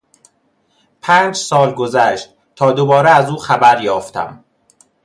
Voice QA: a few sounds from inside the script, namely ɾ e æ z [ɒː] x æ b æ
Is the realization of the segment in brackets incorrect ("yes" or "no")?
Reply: yes